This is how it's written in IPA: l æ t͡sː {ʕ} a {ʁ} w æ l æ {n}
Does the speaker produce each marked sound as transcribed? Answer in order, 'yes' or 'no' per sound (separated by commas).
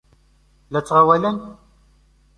no, no, yes